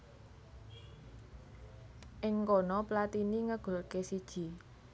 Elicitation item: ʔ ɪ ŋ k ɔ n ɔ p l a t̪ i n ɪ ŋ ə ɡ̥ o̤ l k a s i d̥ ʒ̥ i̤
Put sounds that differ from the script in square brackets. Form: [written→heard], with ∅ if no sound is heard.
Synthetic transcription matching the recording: ʔ ɪ ŋ k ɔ n ɔ p l a t̪ i n [ɪ→i] ŋ ə ɡ̥ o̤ l k [a→e] s i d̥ ʒ̥ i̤